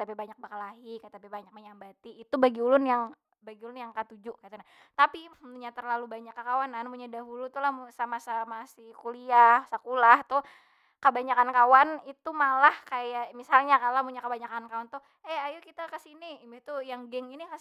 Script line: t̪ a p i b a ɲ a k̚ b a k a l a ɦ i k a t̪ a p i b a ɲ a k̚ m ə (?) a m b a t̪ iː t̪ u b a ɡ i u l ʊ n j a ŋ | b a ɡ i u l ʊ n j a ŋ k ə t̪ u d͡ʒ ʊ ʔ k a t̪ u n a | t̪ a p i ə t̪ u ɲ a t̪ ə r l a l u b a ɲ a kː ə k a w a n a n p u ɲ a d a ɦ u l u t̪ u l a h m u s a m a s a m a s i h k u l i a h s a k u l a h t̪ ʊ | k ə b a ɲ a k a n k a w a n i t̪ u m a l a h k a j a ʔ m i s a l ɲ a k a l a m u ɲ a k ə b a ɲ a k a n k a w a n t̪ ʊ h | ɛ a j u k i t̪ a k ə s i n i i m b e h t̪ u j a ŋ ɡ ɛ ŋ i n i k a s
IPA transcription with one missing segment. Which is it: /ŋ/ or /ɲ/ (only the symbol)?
ɲ